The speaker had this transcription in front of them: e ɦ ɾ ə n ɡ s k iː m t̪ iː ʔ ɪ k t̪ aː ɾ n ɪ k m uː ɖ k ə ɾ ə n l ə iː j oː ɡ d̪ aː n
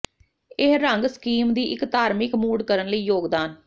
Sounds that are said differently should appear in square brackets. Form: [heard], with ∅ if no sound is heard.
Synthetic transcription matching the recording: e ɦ ɾ ə [ŋ] ɡ s k iː m [d̪] iː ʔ ɪ k t̪ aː ɾ [m] ɪ k m uː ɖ k ə ɾ ə n l ə iː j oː ɡ d̪ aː n